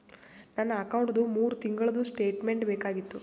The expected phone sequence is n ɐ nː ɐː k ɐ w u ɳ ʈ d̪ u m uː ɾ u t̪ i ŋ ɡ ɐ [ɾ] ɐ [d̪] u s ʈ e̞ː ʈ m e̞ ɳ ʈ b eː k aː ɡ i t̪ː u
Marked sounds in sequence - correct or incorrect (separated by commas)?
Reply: incorrect, correct